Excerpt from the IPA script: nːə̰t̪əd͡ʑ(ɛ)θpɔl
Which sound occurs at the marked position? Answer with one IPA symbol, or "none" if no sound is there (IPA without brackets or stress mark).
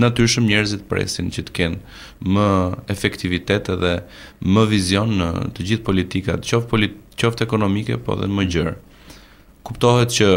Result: i